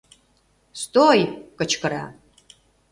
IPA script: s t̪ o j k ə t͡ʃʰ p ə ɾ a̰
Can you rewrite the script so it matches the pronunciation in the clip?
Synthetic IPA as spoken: s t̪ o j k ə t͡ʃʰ k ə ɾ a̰